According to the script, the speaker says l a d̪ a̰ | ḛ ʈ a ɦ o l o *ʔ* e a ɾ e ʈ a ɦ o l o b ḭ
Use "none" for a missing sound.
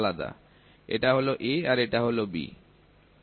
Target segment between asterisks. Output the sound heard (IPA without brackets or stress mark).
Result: ʔ